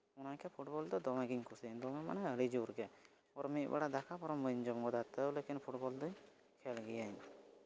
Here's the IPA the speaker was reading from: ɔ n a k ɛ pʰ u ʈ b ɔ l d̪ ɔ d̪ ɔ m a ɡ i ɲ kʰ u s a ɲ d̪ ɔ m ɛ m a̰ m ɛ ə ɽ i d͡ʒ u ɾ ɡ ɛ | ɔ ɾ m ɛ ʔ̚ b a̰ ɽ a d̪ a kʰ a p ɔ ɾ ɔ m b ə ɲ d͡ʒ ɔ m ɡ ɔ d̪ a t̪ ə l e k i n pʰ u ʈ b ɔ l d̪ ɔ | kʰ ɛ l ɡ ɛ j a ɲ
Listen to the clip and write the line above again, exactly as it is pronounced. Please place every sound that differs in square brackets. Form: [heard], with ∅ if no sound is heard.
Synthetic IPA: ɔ n a k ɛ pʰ u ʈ b ɔ l d̪ ɔ d̪ ɔ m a ɡ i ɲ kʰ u s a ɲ d̪ ɔ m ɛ m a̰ [n] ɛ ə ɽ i d͡ʒ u ɾ ɡ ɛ | ɔ ɾ m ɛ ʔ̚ b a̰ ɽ a d̪ a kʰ a p ɔ ɾ ɔ m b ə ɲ d͡ʒ ɔ m ɡ ɔ d̪ a t̪ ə l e k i n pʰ u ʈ b ɔ l d̪ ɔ | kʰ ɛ l ɡ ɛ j a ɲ